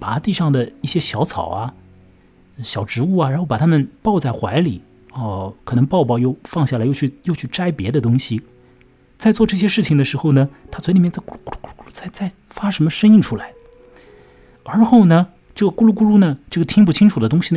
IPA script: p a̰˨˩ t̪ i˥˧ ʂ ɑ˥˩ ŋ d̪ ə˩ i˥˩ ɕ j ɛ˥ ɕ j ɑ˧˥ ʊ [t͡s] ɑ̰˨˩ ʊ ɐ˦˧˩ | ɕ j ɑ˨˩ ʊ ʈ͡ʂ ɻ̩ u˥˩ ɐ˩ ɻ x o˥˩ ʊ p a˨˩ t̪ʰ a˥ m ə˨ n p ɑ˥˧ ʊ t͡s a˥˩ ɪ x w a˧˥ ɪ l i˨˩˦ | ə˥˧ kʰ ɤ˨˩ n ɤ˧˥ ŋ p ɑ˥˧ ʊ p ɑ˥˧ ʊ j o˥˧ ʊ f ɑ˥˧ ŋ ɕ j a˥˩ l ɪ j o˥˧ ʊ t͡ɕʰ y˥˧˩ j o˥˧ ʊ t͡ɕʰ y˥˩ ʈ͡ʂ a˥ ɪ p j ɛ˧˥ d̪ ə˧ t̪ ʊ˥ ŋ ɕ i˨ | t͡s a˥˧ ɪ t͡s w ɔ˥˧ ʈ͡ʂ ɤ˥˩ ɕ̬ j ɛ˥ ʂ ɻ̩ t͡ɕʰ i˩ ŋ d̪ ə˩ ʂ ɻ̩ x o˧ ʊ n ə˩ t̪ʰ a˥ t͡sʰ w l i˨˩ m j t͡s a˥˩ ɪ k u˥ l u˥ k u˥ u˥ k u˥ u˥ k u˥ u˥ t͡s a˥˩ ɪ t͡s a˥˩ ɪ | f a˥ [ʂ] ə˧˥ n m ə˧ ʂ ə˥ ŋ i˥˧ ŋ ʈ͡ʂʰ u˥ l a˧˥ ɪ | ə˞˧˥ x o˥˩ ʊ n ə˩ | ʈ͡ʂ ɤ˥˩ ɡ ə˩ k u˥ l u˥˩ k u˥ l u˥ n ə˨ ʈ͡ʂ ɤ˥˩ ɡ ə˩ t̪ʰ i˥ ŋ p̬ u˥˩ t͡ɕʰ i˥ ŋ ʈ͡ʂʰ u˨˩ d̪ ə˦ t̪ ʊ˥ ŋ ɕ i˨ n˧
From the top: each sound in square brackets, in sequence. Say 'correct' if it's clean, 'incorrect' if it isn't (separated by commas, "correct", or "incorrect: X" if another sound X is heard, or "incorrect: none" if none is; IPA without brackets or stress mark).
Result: incorrect: t͡sʰ, correct